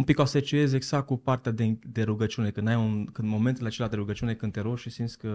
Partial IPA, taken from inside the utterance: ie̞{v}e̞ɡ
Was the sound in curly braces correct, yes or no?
no